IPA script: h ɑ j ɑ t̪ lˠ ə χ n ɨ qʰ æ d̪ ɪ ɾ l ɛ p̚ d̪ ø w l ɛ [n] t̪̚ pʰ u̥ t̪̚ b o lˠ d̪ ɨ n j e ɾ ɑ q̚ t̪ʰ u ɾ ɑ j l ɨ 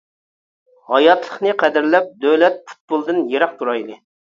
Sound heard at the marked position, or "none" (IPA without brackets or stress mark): none